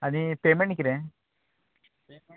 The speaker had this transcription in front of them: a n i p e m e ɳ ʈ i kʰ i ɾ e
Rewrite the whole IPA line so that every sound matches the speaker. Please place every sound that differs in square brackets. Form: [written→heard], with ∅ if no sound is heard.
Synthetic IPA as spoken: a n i p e m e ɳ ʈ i [kʰ→k] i ɾ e